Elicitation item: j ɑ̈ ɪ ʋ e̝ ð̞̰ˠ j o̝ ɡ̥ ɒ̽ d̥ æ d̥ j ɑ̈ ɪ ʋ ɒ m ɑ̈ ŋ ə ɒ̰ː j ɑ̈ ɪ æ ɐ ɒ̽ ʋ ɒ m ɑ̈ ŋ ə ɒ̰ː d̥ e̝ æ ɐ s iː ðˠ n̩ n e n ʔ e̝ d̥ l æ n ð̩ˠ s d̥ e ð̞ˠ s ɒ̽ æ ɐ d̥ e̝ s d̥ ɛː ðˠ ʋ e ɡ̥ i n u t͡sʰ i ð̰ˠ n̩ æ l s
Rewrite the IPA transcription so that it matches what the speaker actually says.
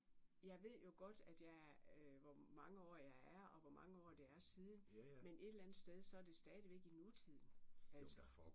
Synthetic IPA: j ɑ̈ ɪ ʋ e̝ ð̞̰ˠ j o̝ ɡ̥ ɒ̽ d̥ æ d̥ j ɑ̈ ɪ ʋ ɒ m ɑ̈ ŋ ə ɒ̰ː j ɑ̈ ɪ æ ɐ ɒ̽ ʋ ɒ m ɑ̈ ŋ ə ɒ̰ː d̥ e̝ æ ɐ s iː ðˠ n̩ m e n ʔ e̝ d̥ l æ n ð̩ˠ s d̥ e ð̞ˠ s ɒ̽ æ ɐ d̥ e̝ s d̥ ɛː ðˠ ʋ e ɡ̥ i n u t͡sʰ i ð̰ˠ n̩ æ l s